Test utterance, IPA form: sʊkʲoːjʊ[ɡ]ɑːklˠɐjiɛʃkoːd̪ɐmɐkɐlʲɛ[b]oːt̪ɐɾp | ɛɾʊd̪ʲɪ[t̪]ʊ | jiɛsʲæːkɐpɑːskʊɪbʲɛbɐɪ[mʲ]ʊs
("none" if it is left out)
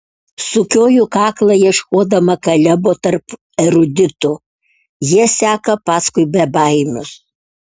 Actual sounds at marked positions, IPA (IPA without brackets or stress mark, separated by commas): k, b, t̪, mʲ